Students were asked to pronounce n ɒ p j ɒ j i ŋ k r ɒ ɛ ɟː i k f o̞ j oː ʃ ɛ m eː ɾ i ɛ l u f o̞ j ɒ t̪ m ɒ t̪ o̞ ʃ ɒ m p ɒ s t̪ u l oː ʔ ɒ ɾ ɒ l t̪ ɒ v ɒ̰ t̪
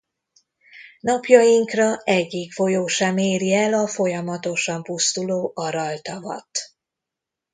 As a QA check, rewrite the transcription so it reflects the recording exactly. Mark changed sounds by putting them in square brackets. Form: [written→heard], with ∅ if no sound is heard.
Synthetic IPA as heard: n ɒ p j ɒ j i ŋ k r ɒ ɛ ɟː i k f o̞ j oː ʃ ɛ m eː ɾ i ɛ l [u→ɒ] f o̞ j ɒ [t̪→∅] m ɒ t̪ o̞ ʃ ɒ m p [ɒ→u] s t̪ u l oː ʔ ɒ ɾ ɒ l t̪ ɒ v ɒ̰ t̪